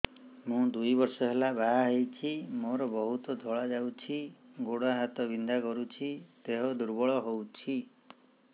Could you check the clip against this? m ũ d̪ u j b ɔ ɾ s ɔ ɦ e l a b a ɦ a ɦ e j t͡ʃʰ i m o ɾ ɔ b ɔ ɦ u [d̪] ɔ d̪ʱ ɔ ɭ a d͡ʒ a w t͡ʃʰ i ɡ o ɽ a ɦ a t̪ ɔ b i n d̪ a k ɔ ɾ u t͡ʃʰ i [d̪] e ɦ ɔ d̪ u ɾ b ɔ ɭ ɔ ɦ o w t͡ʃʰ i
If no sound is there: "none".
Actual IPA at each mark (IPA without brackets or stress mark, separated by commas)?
t̪, t̪